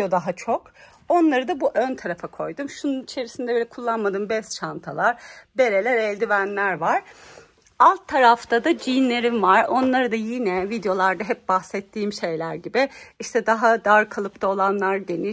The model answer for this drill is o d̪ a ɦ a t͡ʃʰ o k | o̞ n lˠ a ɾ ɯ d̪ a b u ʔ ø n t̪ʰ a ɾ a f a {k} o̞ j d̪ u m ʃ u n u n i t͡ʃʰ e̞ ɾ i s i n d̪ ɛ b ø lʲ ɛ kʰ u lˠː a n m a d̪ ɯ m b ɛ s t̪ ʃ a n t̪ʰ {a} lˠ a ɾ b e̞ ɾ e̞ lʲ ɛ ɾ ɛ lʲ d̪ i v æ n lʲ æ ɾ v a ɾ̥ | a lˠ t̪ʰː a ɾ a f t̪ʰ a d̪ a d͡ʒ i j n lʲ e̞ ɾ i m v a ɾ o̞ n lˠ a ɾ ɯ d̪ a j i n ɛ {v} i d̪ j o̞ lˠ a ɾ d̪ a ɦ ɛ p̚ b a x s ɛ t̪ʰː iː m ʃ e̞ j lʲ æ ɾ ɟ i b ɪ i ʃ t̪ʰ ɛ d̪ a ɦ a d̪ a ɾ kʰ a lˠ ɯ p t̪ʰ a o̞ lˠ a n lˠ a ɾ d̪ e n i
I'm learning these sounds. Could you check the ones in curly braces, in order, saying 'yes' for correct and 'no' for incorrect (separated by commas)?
no, yes, yes